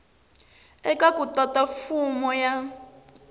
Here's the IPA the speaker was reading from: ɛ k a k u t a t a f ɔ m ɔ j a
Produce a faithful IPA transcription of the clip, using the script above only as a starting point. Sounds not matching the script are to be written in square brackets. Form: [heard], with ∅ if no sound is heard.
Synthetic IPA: ɛ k a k u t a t a f [u] m ɔ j a